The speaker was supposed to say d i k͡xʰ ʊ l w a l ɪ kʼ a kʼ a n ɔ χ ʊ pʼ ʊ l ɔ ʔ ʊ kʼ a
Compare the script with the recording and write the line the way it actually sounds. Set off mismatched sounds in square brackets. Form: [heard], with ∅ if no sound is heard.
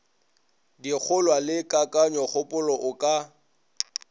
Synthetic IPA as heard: d i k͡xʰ ʊ l w a l ɪ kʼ a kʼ a [ɲ] ɔ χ ʊ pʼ ʊ l ɔ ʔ ʊ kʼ a